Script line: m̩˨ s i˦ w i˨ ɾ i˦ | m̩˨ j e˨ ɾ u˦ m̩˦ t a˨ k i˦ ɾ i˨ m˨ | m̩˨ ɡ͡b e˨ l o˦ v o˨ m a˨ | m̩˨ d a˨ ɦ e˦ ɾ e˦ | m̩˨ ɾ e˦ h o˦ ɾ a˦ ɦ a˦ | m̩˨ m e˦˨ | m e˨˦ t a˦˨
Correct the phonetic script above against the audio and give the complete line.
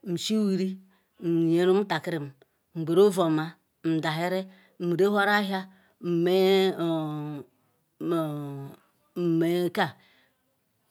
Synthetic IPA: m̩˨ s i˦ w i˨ ɾ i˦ | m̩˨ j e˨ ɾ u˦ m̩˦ t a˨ k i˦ ɾ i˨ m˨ | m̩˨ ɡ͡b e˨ ɾ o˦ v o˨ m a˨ | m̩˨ d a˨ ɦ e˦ ɾ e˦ | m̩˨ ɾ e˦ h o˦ ɾ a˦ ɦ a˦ | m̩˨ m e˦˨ | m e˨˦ k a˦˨

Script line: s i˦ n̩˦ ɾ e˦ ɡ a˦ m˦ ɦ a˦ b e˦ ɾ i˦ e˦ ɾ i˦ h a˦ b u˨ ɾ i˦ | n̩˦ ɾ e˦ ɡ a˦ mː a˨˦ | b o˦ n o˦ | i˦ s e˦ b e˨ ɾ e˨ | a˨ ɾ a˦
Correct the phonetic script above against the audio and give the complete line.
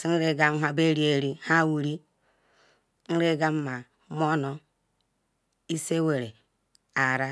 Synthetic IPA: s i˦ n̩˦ ɾ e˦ ɡ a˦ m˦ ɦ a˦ b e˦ ɾ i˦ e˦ ɾ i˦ h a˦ w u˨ ɾ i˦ | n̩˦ ɾ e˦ ɡ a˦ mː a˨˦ | m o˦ n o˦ | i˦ s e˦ w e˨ ɾ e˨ | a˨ ɾ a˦

